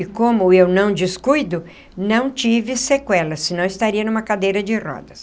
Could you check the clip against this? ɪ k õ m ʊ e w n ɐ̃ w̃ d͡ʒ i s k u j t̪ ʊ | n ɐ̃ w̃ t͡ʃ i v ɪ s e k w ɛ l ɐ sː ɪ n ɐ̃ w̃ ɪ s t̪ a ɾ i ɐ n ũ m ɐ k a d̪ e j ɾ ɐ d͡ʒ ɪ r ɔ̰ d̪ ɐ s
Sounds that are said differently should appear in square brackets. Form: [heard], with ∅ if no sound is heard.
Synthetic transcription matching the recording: ɪ k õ m ʊ e w n ɐ̃ w̃ d͡ʒ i s k u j [d̪] ʊ | n ɐ̃ w̃ t͡ʃ i v ɪ s e k w ɛ l ɐ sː ɪ n ɐ̃ w̃ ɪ s t̪ a ɾ i ɐ n ũ m ɐ k a d̪ e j ɾ ɐ d͡ʒ ɪ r ɔ̰ d̪ ɐ s